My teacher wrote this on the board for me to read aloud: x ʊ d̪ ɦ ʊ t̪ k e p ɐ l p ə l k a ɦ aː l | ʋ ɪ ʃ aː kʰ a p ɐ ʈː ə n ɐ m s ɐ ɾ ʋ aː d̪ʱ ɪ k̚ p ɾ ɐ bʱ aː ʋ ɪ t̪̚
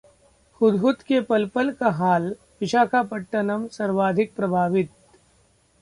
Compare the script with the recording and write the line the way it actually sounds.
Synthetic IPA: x ʊ d̪ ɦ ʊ t̪ k e p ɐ l p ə l k a ɦ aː l | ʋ ɪ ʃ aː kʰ a p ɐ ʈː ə n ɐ m s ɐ ɾ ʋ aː d̪ʱ ɪ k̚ p ɾ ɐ bʱ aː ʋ ɪ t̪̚